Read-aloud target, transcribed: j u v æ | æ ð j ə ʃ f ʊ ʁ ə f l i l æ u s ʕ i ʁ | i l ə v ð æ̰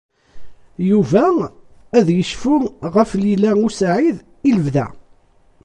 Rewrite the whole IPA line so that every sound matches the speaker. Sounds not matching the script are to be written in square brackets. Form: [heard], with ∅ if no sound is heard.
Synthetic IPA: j u v æ | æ ð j ə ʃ f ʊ ʁ ə f l i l æ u s ʕ i [ð] | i l ə v ð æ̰